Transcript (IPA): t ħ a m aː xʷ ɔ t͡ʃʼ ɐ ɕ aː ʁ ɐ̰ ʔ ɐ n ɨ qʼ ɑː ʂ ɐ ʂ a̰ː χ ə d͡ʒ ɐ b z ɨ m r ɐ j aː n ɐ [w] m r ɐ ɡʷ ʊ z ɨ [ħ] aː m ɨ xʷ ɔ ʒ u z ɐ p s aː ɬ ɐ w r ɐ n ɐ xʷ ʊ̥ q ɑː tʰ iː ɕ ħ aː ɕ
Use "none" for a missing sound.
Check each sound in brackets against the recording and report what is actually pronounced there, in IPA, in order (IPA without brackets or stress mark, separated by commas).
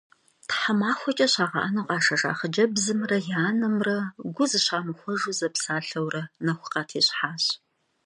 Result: none, ɕ